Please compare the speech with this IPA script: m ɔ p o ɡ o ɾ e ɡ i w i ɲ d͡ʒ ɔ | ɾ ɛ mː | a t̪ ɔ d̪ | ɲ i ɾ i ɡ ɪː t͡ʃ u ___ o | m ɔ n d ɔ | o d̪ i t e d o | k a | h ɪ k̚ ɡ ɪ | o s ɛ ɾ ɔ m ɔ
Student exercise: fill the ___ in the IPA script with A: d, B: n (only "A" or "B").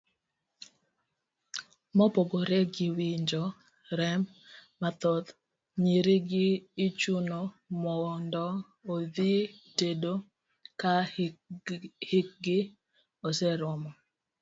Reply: B